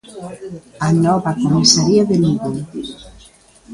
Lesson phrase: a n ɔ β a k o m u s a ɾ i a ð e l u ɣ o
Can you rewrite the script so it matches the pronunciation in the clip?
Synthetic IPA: a n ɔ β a k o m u s a ɾ i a ð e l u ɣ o